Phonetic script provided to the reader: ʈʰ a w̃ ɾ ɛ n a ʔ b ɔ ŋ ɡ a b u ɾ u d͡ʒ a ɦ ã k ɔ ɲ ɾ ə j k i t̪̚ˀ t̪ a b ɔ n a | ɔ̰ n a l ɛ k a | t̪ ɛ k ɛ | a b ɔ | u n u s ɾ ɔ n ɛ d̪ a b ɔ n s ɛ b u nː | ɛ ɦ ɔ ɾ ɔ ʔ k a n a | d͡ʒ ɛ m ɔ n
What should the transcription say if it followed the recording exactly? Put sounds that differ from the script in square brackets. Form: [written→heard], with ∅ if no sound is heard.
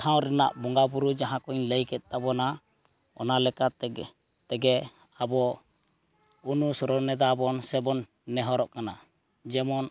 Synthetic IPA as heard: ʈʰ a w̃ ɾ ɛ n a ʔ b ɔ ŋ ɡ a b u ɾ u d͡ʒ a ɦ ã k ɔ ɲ [ɾ→l] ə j k [i→ɛ] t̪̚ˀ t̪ a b ɔ n a | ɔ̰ n a l ɛ k a | t̪ ɛ [k→ɡ] ɛ | a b ɔ | u n u s ɾ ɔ n ɛ d̪ a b ɔ n s ɛ b [u→ɔ] nː | ɛ ɦ ɔ ɾ ɔ ʔ k a n a | d͡ʒ ɛ m ɔ n